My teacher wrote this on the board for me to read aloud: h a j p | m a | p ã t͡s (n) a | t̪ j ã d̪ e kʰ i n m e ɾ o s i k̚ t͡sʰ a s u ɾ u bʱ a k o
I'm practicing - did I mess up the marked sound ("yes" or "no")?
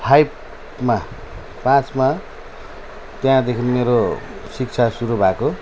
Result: yes